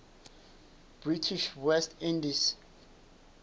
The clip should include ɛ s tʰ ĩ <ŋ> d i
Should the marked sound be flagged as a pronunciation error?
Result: yes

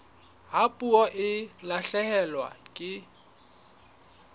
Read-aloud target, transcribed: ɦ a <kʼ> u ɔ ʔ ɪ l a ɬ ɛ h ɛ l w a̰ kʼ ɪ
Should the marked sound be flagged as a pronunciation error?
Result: yes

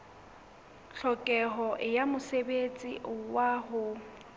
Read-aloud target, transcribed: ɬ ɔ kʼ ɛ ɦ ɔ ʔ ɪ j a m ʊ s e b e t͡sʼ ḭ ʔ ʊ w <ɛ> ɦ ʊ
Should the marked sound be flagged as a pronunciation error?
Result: yes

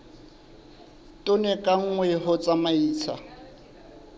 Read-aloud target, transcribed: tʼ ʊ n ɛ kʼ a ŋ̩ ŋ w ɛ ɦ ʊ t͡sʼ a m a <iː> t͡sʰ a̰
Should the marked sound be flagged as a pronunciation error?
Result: no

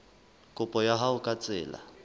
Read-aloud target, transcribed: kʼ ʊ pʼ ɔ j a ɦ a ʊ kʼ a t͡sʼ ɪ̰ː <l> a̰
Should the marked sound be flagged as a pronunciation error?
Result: no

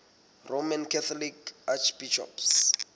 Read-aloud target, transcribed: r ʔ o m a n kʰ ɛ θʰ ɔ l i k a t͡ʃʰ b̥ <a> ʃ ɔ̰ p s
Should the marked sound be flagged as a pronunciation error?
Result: yes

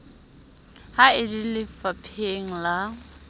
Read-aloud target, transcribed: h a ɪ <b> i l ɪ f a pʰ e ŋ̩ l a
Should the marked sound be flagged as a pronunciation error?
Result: yes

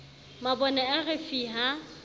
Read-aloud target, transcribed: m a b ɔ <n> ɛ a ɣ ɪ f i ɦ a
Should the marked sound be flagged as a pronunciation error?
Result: no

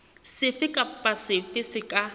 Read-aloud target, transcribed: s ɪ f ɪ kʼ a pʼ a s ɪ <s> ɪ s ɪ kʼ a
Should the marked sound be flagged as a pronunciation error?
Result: yes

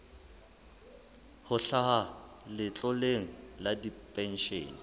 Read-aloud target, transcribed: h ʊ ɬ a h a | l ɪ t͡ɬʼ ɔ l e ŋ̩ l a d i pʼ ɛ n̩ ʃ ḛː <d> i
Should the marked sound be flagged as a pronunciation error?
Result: yes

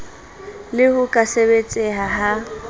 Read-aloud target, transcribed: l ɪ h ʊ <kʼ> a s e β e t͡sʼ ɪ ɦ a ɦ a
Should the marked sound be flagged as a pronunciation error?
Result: no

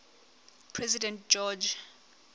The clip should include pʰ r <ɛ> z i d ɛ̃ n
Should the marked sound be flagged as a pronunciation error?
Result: no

